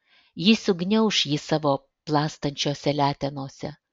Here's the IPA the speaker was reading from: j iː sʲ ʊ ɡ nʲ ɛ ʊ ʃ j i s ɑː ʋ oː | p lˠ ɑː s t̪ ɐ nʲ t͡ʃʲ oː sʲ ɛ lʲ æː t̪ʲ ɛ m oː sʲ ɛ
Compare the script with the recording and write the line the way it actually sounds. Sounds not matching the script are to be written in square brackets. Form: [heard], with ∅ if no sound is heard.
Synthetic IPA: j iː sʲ ʊ ɡ nʲ ɛ ʊ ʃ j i s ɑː ʋ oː | p lˠ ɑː s t̪ ɐ nʲ t͡ʃʲ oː sʲ ɛ lʲ æː t̪ʲ ɛ [n] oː sʲ ɛ